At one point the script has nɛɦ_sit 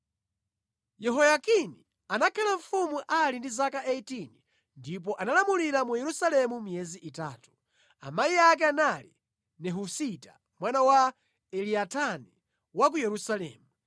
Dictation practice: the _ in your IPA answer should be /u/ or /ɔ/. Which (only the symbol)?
u